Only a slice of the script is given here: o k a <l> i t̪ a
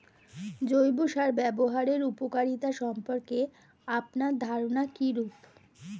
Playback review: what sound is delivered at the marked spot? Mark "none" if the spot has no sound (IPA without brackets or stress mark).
ɾ